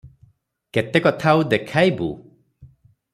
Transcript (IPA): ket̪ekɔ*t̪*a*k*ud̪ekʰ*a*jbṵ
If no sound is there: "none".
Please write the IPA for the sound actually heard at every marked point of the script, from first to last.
t̪ʰ, none, a

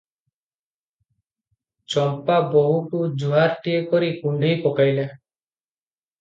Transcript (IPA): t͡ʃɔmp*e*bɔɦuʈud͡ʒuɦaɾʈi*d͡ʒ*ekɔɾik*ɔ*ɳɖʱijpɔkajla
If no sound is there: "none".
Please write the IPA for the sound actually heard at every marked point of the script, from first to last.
a, none, u

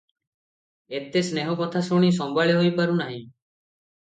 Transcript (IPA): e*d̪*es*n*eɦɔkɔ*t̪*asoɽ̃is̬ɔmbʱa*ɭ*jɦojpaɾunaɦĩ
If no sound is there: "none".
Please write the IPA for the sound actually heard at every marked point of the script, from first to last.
t̪, n, t̪ʰ, ɭ

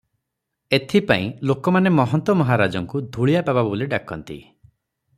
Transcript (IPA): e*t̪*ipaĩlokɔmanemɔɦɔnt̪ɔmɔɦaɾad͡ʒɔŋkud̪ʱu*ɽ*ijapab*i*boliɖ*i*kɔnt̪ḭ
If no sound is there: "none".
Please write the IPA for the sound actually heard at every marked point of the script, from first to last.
t̪ʰ, ɭ, a, a

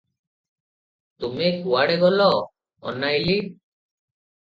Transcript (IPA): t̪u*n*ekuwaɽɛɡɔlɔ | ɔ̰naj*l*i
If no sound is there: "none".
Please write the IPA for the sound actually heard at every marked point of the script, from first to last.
m, l

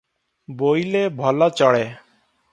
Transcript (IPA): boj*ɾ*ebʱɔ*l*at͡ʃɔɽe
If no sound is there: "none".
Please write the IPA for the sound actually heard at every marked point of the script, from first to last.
l, l

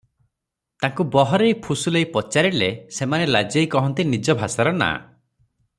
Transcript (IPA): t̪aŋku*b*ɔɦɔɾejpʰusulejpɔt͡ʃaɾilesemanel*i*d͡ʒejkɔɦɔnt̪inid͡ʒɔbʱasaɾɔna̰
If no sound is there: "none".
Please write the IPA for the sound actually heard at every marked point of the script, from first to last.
b, a

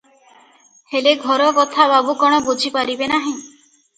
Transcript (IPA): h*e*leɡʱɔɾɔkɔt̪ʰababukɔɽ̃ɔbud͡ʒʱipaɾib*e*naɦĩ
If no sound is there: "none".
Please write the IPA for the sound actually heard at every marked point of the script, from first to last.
e, e

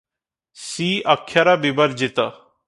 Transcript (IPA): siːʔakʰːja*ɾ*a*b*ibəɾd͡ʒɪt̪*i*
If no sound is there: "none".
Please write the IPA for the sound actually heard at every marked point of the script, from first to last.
ɾ, b, a

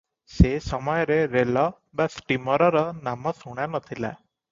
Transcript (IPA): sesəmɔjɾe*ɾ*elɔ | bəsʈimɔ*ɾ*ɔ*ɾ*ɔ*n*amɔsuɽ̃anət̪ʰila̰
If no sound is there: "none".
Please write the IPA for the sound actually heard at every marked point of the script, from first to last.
ɾ, ɾ, ɾ, n

